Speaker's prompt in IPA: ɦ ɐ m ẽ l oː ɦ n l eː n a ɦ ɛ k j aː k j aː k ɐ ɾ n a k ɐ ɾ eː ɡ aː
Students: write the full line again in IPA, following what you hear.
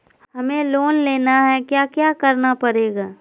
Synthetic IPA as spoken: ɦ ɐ m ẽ l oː n l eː n a ɦ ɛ k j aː k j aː k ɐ ɾ n a p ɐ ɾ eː ɡ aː